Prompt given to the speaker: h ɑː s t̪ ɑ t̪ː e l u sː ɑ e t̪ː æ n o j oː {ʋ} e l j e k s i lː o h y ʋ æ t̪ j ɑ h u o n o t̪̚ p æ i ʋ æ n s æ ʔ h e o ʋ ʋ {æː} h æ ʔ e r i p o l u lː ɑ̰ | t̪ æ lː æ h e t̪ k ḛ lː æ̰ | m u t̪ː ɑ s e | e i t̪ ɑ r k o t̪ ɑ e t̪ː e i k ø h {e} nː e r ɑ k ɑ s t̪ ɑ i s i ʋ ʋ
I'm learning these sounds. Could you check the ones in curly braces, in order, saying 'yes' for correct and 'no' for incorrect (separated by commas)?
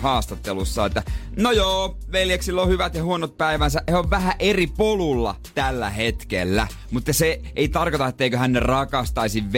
yes, no, no